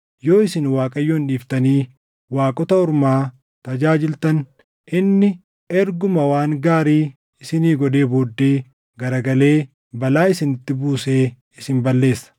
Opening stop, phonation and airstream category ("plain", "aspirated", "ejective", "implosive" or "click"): ejective